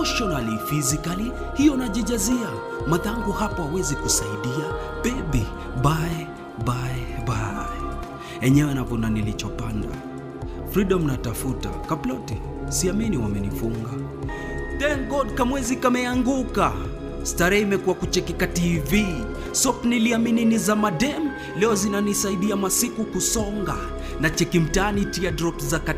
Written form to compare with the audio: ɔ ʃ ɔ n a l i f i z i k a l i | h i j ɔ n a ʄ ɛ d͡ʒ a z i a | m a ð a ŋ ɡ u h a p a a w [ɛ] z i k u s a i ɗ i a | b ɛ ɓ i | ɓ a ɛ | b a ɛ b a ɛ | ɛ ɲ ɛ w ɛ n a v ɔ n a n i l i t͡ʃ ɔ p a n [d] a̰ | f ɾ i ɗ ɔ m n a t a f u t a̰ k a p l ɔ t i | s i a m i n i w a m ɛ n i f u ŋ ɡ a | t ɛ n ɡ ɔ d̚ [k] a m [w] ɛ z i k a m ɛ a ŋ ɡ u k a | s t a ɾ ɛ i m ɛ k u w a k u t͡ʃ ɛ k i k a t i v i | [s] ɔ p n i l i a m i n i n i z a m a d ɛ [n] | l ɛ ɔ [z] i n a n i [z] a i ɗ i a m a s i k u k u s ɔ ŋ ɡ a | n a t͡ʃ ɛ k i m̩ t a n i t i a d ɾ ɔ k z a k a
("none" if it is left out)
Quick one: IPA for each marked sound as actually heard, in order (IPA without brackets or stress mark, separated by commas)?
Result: ɛ, d, k, w, s, m, z, s